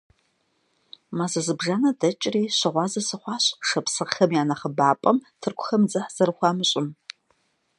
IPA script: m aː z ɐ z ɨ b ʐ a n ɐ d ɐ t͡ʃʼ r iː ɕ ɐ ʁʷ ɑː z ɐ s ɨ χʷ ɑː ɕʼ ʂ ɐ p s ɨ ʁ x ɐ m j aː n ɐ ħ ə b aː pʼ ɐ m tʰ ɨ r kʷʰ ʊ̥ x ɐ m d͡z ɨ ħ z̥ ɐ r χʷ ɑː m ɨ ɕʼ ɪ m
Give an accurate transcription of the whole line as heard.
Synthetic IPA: m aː z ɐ z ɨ b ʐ a n ɐ d ɐ t͡ʃʼ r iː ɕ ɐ ʁʷ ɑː z ɐ s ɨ χʷ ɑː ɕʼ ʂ ɐ p s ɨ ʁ x ɐ m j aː n ɐ χ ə b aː pʼ ɐ m tʰ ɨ r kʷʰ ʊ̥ x ɐ m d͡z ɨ ħ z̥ ɐ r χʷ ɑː m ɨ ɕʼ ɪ m